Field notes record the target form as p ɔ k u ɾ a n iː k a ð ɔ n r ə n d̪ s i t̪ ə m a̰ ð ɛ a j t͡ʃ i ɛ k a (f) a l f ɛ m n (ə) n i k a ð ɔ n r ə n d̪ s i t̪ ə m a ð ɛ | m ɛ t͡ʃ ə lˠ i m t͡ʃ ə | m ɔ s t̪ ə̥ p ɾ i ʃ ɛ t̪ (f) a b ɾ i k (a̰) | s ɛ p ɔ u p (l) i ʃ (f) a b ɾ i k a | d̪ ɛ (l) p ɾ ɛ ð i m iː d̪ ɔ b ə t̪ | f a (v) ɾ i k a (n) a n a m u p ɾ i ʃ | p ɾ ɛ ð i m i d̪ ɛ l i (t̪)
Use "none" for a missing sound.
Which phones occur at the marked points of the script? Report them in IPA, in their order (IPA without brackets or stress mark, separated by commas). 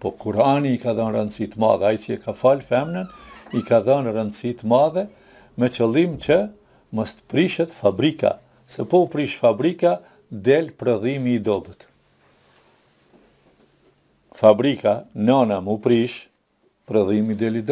f, ə, f, a̰, ɾ, f, l, b, n, d̪